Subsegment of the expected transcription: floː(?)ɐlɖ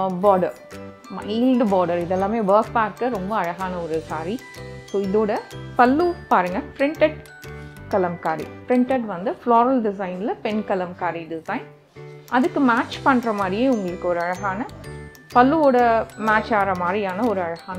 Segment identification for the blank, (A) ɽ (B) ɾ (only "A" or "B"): B